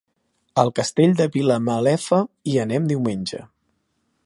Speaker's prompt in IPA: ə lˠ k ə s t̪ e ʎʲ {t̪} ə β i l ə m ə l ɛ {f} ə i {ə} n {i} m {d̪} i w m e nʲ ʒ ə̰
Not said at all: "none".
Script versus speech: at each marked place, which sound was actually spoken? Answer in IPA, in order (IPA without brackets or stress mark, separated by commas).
d̪, f, ə, ɛ, d̪